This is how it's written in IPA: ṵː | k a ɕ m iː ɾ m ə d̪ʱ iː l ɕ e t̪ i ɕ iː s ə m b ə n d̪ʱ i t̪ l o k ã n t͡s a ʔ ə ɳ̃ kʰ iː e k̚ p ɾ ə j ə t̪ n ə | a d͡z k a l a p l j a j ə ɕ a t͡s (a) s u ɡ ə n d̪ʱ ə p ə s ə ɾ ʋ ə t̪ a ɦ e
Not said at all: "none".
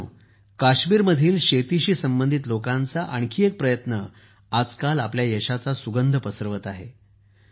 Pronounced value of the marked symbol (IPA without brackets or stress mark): a